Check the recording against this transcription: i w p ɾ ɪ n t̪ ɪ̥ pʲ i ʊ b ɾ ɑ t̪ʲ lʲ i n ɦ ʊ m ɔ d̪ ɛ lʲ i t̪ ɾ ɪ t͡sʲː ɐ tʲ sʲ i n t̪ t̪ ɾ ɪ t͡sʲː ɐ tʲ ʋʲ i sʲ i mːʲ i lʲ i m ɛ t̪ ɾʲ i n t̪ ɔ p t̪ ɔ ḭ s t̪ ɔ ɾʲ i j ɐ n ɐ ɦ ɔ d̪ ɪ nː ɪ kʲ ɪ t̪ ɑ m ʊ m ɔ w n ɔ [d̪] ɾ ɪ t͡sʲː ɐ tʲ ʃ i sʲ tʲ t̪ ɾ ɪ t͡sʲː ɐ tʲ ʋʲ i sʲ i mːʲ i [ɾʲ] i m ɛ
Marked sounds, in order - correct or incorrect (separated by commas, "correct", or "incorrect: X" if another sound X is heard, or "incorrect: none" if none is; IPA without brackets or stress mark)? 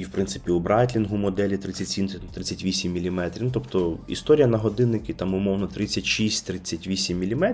incorrect: t̪, incorrect: lʲ